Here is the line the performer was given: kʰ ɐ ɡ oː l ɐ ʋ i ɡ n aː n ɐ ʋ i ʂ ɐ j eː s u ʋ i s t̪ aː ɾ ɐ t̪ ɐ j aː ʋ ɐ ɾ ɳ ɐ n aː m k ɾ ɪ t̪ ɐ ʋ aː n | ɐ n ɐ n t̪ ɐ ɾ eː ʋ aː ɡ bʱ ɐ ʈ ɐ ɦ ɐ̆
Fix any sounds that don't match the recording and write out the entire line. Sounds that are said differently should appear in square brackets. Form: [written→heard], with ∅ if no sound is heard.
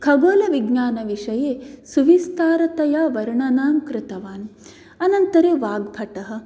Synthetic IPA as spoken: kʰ ɐ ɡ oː l ɐ ʋ i ɡ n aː n ɐ ʋ i ʂ ɐ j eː s u ʋ i s t̪ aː ɾ ɐ t̪ ɐ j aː ʋ ɐ ɾ ɳ ɐ n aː m k ɾ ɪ t̪ ɐ ʋ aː n | ɐ n ɐ n t̪ ɐ ɾ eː ʋ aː ɡ bʱ ɐ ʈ ɐ ɦ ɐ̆

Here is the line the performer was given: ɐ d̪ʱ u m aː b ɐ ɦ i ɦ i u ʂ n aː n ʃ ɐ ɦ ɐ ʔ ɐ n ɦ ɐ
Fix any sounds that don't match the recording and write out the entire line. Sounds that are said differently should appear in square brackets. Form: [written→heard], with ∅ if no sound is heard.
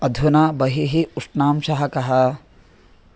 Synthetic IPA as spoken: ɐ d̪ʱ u [m→n] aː b ɐ ɦ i ɦ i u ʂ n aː [n→m] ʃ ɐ ɦ ɐ [ʔ→k] ɐ [n→∅] ɦ ɐ

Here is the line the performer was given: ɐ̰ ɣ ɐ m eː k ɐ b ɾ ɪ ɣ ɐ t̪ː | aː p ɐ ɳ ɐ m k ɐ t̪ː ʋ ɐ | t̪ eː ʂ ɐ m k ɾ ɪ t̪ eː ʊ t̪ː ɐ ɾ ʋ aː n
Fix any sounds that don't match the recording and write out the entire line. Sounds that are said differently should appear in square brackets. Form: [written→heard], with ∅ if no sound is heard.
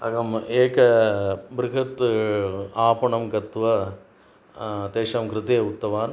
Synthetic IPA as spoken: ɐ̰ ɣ ɐ m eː k ɐ b ɾ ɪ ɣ ɐ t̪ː | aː p ɐ ɳ ɐ m k ɐ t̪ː ʋ ɐ | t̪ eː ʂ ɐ m k ɾ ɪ t̪ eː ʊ t̪ː ɐ [ɾ→∅] ʋ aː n

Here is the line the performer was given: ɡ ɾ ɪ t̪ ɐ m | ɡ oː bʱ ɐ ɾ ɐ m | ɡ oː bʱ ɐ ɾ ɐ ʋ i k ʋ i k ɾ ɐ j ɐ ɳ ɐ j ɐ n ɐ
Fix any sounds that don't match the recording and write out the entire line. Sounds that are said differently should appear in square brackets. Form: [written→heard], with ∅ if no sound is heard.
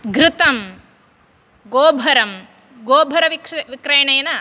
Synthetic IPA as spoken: ɡ ɾ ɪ t̪ ɐ m | ɡ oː bʱ ɐ ɾ ɐ m | ɡ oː bʱ ɐ ɾ ɐ ʋ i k ʋ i k ɾ ɐ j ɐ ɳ ɐ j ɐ n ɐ

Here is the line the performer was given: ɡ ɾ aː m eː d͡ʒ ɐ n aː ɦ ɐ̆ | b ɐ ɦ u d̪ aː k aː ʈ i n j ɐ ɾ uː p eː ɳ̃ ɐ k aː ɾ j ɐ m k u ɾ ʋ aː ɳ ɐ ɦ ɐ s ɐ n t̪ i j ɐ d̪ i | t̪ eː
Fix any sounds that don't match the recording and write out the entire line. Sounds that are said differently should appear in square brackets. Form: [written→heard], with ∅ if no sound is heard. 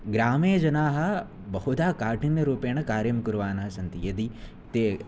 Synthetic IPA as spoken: ɡ ɾ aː m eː d͡ʒ ɐ n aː ɦ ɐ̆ | b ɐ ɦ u d̪ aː k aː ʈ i n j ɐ ɾ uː p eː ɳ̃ ɐ k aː ɾ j ɐ m k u ɾ ʋ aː [ɳ→n] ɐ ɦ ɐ s ɐ n t̪ i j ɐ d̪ i | t̪ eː

